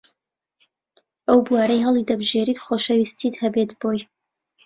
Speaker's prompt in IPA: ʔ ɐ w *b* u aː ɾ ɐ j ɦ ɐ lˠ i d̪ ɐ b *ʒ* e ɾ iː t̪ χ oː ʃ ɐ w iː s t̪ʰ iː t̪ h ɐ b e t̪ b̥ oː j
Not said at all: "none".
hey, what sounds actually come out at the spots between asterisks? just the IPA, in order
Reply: b, ʒ

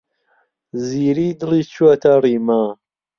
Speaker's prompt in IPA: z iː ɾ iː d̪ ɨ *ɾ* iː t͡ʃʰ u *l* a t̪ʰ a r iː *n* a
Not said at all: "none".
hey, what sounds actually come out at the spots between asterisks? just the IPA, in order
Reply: l, none, m

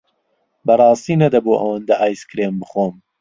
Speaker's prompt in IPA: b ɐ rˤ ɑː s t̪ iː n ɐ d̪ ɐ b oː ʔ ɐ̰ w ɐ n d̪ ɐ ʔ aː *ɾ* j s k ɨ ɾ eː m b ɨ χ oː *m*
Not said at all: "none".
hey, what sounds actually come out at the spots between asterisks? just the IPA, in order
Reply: none, m

